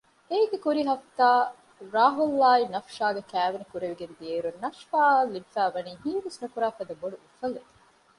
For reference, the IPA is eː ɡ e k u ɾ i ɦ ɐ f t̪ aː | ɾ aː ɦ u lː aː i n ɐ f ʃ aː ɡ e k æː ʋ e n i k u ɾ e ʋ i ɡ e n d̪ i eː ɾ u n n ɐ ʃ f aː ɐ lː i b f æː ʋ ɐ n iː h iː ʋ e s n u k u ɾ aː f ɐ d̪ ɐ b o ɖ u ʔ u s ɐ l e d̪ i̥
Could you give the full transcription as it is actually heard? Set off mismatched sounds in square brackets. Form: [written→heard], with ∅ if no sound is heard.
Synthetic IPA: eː ɡ e k u ɾ i ɦ ɐ f t̪ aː | ɾ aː ɦ u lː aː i n ɐ f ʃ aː ɡ e k æː ʋ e n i k u ɾ e ʋ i ɡ e n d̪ i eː ɾ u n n ɐ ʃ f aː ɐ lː i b f æː ʋ ɐ n iː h iː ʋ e s n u k u ɾ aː f ɐ d̪ ɐ b o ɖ u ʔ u [s→f] ɐ l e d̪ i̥